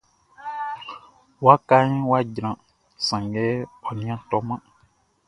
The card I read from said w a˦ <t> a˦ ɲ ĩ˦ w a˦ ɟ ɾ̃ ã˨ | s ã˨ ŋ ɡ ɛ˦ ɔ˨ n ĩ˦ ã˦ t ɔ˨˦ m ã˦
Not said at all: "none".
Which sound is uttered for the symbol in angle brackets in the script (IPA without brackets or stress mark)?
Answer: k